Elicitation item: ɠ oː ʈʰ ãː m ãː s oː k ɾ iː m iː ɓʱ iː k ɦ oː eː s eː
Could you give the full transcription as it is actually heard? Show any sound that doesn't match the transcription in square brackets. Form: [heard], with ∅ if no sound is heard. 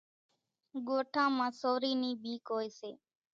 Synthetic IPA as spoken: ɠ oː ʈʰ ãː m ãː s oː [∅] ɾ iː [n] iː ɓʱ iː k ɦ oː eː s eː